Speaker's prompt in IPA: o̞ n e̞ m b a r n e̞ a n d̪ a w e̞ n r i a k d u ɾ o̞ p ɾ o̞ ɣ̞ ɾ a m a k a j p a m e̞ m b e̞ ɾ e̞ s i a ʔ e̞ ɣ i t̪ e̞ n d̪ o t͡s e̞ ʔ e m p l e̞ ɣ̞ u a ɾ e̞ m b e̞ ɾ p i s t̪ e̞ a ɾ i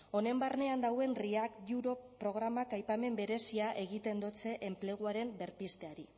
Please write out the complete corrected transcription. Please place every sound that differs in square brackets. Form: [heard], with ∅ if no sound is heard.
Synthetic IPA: o̞ n e̞ m b a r n e̞ a n d̪ a w e̞ n r i a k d u ɾ o̞ p ɾ o̞ ɣ̞ ɾ a m a k a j p a m e̞ m b e̞ ɾ e̞ s i a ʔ e̞ ɣ i t̪ e̞ n d̪ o t͡s e̞ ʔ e m p l e̞ ɣ̞ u a ɾ e̞ m b e̞ ɾ p i s t̪ e̞ a ɾ i